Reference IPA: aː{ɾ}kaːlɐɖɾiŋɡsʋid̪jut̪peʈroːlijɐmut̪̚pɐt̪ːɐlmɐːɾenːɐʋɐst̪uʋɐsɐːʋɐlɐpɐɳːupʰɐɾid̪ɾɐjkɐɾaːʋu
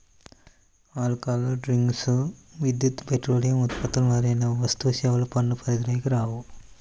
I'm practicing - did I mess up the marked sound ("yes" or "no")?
yes